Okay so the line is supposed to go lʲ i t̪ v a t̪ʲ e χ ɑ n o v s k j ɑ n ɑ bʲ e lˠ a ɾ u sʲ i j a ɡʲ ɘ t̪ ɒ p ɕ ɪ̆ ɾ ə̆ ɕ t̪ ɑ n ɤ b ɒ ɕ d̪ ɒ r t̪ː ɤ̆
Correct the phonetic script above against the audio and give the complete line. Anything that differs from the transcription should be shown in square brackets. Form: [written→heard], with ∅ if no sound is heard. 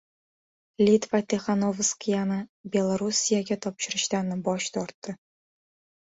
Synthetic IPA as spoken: lʲ i t̪ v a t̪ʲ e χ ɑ n o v s k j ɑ n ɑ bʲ e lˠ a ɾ u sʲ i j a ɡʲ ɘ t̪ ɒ p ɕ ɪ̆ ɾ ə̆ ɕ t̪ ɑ n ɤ b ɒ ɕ [d̪→t̪] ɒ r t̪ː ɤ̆